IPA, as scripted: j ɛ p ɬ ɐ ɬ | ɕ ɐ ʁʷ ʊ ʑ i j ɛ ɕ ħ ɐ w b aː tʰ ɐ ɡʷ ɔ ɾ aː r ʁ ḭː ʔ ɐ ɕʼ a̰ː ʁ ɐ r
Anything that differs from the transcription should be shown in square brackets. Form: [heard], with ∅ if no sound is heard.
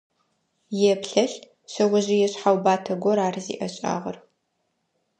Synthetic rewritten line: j ɛ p ɬ ɐ ɬ | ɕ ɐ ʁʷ ʊ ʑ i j ɛ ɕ ħ [a] w b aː tʰ ɐ ɡʷ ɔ ɾ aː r [z] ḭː ʔ ɐ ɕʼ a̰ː ʁ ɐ r